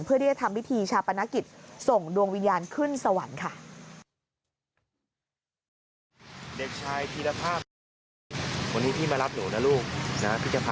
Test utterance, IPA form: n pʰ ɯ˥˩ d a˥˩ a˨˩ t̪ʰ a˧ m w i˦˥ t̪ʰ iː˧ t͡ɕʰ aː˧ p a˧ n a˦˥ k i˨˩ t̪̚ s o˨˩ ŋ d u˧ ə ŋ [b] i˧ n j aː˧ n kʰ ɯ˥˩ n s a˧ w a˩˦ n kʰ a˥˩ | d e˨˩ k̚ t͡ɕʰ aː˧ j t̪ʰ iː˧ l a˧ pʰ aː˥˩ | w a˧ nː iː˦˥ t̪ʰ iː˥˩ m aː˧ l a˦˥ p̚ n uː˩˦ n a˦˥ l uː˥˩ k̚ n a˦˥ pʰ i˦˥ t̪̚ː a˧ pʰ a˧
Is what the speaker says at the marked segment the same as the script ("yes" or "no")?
no